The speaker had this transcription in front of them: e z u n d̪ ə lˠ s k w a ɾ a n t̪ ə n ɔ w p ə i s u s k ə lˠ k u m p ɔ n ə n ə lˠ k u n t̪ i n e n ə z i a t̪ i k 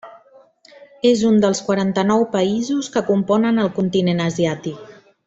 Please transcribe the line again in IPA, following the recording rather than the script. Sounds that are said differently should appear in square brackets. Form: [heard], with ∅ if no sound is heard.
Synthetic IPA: e z u n d̪ ə lˠ s k w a ɾ a n t̪ ə n ɔ w p ə i [z] u s k ə [∅] k u m p ɔ n ə n ə lˠ k u n t̪ i n e n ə z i a t̪ i k